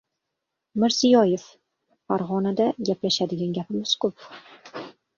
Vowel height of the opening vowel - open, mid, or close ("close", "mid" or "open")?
close